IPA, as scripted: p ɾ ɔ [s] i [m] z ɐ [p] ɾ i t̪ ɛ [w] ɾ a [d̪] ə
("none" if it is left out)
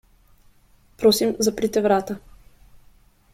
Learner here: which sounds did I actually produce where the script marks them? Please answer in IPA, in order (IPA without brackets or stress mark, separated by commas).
s, m, p, v, t̪